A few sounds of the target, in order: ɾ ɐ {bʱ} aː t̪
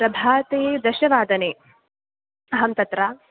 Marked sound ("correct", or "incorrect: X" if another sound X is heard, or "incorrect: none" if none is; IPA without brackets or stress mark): correct